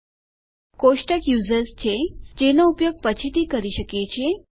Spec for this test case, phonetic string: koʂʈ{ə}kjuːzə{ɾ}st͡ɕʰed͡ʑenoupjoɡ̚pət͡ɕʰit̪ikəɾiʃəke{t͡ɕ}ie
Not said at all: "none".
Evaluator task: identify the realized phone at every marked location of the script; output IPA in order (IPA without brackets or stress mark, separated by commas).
ə, ɾ, t͡ɕʰ